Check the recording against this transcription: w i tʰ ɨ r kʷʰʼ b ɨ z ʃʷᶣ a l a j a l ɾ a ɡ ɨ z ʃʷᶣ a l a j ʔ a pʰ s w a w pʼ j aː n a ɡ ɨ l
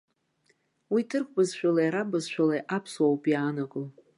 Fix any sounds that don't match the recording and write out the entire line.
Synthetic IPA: w i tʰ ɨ r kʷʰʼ b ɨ z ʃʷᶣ a l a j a ɾ a b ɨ z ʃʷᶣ a l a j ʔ a pʰ s w a w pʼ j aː n a ɡ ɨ l